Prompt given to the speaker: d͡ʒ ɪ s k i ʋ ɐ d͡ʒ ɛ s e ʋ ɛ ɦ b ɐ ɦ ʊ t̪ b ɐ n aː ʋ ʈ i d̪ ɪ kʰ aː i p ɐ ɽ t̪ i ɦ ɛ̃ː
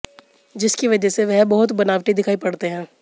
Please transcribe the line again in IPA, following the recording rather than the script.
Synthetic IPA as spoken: d͡ʒ ɪ s k i ʋ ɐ d͡ʒ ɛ s e ʋ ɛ ɦ b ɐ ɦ ʊ t̪ b ɐ n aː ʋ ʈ i d̪ ɪ kʰ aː i p ɐ ɽ t̪ e ɦ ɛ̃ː